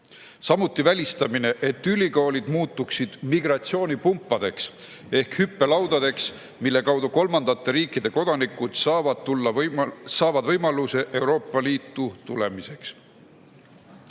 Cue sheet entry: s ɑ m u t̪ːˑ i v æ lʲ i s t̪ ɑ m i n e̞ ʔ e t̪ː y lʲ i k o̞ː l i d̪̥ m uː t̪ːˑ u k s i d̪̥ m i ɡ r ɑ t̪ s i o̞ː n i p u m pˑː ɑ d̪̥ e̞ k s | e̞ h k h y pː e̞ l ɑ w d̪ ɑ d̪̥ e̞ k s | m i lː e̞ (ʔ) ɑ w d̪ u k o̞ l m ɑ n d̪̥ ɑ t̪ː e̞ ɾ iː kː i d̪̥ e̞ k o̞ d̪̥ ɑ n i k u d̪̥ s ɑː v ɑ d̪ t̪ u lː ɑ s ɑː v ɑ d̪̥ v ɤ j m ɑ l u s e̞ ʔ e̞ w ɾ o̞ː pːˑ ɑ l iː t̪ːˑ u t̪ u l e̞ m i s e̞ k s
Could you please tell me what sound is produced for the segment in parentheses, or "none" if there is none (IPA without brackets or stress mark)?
k